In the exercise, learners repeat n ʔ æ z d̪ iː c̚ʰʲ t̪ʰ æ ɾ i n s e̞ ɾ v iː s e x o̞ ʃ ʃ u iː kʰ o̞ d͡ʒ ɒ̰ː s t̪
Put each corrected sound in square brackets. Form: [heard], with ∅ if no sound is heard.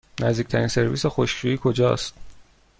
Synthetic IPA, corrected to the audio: n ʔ æ z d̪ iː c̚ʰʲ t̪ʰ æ ɾ i n s e̞ ɾ v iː s e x o̞ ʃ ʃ u iː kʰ o̞ d͡ʒ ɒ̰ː s t̪

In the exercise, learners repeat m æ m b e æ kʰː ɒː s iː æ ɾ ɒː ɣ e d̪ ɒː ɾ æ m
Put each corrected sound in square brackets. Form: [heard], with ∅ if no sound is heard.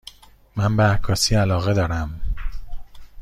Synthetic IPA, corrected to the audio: m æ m b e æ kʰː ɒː s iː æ [l] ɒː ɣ e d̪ ɒː ɾ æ m

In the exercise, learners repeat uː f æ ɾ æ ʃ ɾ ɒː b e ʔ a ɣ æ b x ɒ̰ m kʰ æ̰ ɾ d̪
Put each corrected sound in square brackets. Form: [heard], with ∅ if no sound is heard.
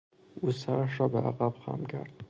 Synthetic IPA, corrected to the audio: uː [s] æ ɾ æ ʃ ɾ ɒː b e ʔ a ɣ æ b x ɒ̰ m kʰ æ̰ ɾ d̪

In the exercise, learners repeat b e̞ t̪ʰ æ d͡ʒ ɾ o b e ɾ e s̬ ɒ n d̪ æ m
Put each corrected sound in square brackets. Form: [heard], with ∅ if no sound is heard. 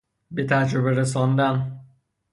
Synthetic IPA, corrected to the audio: b e̞ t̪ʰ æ d͡ʒ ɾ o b e ɾ e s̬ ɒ n d̪ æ [n]

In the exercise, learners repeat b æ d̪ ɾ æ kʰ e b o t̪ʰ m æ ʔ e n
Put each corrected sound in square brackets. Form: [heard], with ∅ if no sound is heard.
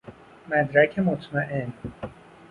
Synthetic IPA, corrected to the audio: [m] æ d̪ ɾ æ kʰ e [m] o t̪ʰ m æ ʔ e n

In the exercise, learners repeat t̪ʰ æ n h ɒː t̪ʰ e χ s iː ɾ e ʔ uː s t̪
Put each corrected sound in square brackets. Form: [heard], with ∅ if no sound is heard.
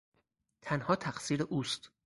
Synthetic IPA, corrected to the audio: t̪ʰ æ n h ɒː t̪ʰ [æ] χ s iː ɾ e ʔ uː s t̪

